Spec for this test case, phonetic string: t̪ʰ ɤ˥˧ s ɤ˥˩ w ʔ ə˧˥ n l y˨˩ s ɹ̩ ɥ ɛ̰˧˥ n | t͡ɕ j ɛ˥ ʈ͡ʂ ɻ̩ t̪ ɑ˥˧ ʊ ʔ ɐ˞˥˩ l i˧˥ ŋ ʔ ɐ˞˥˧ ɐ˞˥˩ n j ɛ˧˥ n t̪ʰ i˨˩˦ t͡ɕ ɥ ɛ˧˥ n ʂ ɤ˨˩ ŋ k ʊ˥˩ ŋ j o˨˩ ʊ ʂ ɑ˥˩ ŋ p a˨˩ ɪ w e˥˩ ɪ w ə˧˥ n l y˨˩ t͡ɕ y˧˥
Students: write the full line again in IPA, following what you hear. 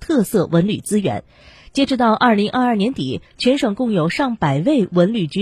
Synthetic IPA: t̪ʰ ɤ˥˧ s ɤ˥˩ w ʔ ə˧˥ n l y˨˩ t͡s ɹ̩ ɥ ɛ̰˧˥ n | t͡ɕ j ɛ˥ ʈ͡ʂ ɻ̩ t̪ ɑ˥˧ ʊ ʔ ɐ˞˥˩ l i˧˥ ŋ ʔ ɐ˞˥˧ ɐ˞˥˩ n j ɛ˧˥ n t̪ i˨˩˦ t͡ɕʰ ɥ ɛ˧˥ n ʂ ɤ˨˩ ŋ k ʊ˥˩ ŋ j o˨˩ ʊ ʂ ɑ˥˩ ŋ p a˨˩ ɪ w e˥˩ ɪ w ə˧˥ n l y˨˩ t͡ɕ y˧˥